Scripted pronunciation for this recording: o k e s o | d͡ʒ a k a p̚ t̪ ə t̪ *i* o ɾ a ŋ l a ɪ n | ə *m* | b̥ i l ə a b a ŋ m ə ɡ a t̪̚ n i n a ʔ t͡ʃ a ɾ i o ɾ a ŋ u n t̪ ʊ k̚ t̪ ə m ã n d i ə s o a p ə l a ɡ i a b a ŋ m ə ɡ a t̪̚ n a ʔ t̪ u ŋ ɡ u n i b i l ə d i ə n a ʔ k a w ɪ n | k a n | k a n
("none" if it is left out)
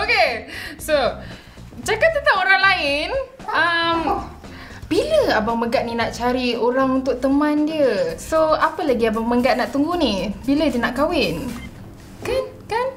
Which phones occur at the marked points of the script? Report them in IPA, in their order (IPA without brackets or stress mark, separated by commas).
a, m